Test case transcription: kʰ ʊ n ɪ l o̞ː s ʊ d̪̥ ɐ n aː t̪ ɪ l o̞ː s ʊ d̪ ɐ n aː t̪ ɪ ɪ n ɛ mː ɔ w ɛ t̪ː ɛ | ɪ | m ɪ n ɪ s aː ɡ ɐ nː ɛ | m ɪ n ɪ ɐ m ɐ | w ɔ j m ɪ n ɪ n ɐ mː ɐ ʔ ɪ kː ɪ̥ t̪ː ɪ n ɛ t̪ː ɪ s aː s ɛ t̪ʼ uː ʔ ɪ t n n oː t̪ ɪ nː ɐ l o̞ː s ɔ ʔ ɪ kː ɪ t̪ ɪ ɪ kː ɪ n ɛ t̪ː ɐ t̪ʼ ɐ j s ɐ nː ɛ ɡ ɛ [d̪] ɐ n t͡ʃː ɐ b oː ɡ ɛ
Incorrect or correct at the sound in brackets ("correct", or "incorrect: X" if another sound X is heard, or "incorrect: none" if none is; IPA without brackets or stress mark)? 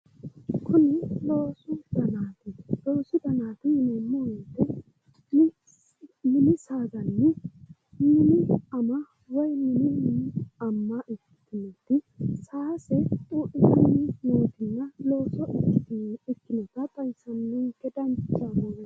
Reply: correct